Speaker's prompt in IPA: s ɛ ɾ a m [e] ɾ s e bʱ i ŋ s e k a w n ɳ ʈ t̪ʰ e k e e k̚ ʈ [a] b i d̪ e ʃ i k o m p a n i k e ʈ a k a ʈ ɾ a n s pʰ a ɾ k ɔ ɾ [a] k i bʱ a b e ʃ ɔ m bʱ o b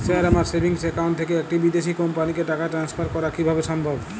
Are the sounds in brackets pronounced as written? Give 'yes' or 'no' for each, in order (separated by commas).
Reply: no, no, yes